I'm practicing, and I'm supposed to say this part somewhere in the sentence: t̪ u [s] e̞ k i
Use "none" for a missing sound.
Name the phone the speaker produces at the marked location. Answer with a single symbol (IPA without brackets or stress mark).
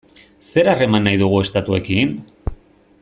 none